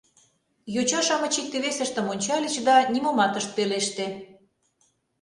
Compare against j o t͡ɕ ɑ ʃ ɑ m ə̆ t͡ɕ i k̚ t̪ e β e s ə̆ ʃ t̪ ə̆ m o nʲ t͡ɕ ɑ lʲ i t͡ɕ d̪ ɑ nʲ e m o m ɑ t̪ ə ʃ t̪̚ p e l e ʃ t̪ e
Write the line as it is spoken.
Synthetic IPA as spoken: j o t͡ɕ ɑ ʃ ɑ m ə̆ t͡ɕ i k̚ t̪ e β e s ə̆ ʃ t̪ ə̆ m o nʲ t͡ɕ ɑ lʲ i t͡ɕ d̪ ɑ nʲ i m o m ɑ t̪ ə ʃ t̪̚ p e l e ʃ t̪ e

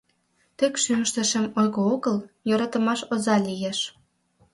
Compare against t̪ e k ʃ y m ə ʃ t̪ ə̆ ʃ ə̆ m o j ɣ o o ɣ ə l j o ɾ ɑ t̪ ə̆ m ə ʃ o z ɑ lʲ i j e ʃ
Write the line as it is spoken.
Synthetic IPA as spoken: t̪ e k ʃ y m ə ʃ t̪ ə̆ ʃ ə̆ m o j ɣ o o ɣ ə l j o ɾ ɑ t̪ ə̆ m ɑ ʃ o z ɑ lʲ i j e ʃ

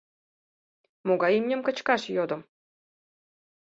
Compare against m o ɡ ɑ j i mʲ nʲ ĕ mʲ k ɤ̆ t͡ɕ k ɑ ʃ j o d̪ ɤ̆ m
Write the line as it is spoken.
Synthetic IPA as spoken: m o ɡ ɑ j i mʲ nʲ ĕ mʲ k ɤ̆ t͡ɕ k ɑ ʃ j o d̪ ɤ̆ m

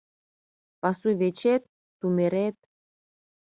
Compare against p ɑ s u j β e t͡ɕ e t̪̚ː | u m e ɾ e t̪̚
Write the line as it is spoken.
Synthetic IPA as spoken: p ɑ s u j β e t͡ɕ e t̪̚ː | u m e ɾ e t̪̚

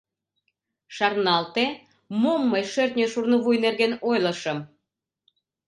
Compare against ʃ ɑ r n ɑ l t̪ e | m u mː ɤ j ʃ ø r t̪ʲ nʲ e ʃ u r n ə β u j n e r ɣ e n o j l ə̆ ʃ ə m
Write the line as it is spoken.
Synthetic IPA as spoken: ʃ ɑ r n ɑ l t̪ e | m o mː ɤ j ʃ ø r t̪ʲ nʲ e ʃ u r n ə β u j n e r ɣ e n o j l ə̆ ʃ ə m

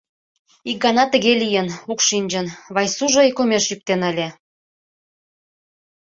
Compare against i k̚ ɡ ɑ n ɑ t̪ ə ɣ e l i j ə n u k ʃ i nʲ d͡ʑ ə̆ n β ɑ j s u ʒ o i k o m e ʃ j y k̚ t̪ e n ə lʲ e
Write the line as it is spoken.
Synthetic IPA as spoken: i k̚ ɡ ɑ n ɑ t̪ ə ɣ e l i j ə n u k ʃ i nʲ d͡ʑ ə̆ n β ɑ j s u ʒ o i k o m e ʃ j y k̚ t̪ e n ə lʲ e

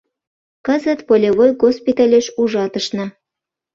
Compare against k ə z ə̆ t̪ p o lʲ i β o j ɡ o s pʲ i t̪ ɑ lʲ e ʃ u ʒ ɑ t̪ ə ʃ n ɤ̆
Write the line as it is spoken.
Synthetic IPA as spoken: k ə z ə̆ t̪ p o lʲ e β o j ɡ o s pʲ i t̪ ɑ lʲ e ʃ u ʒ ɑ t̪ ə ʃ n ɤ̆

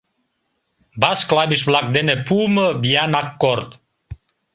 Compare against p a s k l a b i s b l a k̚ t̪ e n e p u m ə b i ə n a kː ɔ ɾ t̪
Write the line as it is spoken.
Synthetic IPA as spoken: b a s k l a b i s b l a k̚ d̪ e n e p u m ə b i a n a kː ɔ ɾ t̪

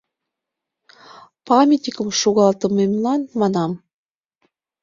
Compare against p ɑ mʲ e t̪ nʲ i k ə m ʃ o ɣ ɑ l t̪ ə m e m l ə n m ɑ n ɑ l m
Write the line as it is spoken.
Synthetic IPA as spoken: p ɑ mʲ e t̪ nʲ i k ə m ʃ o ɣ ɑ l t̪ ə m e m l ɑ n m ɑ n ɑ m

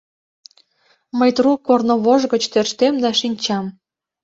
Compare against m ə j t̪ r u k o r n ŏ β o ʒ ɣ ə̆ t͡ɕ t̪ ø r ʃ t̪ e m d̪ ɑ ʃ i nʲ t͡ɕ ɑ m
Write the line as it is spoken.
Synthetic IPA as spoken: m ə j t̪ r u k o r n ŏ β o ʒ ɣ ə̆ t͡ɕ t̪ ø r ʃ t̪ e m d̪ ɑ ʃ i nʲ t͡ɕ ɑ m

